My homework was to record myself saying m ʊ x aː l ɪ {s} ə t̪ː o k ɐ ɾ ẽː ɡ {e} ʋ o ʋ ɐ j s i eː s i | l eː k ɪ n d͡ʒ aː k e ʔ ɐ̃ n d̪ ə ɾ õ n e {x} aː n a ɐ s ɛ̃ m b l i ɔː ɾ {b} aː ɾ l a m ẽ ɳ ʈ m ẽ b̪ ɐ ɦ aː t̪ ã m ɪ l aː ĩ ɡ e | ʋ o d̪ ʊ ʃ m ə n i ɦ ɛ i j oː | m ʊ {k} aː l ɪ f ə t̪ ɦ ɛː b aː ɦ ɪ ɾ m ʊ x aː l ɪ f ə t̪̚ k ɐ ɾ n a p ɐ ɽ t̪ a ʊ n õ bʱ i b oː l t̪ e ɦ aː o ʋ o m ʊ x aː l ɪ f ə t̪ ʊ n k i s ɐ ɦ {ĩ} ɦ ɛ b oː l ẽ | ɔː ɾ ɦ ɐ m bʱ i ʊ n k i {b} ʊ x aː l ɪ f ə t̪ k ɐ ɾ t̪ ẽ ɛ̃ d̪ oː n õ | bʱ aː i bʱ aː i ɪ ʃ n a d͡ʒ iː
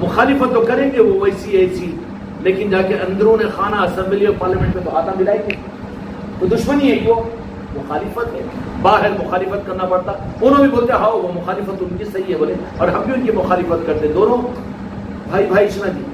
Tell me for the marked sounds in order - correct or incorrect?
incorrect: f, correct, correct, incorrect: p, incorrect: x, incorrect: i, incorrect: m

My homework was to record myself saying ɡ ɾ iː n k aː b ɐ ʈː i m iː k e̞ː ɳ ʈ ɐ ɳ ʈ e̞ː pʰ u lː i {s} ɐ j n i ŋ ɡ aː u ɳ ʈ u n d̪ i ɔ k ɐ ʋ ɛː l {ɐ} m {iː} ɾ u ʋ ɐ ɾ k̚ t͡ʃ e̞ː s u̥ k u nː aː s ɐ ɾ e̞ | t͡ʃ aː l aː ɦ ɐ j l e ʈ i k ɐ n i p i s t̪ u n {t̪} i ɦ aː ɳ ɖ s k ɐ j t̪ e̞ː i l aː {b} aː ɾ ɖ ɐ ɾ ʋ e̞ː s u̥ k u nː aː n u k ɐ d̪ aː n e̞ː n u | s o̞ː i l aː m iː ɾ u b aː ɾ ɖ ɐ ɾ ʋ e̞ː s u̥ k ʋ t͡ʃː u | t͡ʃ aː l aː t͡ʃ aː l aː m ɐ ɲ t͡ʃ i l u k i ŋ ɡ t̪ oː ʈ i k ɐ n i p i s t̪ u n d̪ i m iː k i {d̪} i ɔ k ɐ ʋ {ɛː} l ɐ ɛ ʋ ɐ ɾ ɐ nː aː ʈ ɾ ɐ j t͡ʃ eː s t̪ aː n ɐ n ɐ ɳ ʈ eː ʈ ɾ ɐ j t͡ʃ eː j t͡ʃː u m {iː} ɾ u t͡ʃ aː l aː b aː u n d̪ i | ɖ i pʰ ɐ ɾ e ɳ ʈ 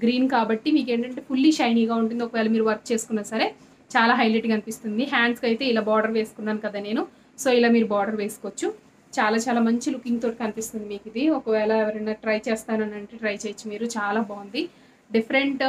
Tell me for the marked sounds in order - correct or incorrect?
incorrect: ʃ, correct, correct, incorrect: d̪, correct, correct, correct, correct

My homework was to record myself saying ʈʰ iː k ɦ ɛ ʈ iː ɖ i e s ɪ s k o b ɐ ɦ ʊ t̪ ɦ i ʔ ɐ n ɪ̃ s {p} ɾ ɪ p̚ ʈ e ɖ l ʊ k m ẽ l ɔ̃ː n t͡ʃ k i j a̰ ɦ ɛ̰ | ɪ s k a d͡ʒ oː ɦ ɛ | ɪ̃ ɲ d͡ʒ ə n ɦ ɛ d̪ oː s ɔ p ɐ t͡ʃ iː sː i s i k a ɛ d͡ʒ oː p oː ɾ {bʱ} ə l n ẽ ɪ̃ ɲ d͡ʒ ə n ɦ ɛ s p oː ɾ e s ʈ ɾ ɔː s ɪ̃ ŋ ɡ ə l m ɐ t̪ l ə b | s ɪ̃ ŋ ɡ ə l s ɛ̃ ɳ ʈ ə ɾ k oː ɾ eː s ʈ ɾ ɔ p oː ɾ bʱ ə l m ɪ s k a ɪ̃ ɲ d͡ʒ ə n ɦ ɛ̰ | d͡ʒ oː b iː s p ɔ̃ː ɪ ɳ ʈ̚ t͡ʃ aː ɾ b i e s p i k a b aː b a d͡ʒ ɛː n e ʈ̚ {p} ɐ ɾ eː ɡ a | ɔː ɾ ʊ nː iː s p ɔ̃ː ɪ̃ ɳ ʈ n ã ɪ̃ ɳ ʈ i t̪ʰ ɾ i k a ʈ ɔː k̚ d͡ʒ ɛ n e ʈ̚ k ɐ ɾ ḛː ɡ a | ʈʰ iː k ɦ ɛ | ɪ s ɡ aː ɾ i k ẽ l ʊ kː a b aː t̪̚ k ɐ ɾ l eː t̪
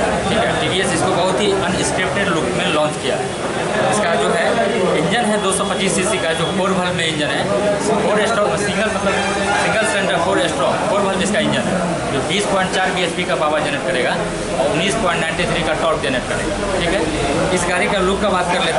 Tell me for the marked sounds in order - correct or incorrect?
incorrect: k, correct, incorrect: k

